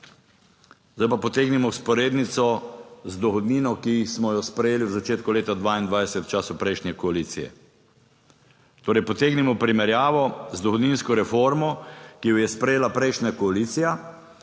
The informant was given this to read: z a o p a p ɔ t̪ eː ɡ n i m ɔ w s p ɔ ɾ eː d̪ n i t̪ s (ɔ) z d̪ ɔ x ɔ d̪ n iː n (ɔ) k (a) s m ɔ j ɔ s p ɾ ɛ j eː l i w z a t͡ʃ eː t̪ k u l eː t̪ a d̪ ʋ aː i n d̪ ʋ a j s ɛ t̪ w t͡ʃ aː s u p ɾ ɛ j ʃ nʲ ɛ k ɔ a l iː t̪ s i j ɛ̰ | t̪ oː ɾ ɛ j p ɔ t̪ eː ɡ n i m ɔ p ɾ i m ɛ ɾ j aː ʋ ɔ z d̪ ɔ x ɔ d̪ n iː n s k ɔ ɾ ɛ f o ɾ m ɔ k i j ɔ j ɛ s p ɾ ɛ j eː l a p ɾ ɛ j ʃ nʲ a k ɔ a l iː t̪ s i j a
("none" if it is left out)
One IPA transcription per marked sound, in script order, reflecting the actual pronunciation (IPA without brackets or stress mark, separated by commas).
ɔ, ɔ, i